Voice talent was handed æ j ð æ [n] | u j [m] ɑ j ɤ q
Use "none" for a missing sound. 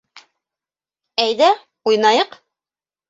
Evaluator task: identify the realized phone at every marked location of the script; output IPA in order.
none, n

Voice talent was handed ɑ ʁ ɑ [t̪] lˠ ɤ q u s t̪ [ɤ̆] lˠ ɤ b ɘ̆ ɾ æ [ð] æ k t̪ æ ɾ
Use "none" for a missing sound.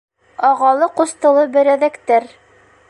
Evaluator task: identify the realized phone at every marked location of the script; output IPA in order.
none, ɤ̆, ð

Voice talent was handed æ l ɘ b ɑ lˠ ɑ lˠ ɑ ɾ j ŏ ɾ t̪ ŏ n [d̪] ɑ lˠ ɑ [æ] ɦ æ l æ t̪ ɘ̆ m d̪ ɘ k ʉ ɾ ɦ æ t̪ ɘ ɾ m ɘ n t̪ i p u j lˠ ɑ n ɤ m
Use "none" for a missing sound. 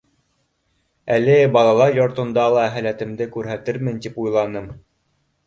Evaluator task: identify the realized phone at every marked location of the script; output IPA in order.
d̪, æ

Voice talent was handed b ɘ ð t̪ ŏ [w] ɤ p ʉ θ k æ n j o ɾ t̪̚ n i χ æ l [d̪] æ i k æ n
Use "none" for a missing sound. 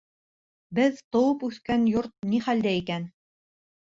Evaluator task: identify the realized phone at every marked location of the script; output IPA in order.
w, d̪

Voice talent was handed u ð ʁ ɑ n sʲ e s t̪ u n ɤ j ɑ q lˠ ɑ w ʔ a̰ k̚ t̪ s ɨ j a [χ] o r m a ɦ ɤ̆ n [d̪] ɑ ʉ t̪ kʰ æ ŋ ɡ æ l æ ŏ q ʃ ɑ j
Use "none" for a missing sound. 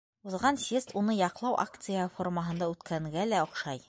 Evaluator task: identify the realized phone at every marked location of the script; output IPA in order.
f, d̪

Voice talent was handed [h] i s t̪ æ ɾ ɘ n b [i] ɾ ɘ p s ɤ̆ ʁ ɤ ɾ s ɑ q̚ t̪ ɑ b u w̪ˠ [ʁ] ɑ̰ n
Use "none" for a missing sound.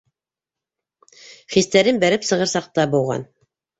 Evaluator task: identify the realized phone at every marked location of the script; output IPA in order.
χ, æ, ʁ

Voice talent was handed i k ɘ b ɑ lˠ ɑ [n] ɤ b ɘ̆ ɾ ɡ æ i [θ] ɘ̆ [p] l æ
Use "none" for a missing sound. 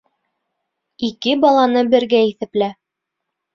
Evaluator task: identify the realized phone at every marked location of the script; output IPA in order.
n, θ, p

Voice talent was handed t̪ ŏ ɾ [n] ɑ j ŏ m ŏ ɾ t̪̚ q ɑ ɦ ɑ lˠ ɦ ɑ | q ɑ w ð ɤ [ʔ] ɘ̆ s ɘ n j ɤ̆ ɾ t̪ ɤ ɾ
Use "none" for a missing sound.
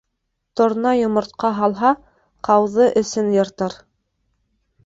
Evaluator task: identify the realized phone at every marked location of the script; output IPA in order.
n, ʔ

